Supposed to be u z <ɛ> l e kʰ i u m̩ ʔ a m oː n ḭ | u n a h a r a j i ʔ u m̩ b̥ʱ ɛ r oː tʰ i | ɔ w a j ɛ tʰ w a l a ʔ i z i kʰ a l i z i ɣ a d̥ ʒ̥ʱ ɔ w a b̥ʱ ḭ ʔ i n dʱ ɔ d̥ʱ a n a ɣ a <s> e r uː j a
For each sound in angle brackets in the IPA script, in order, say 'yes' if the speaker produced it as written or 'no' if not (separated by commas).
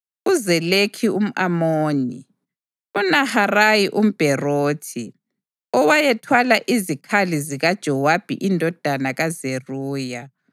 yes, no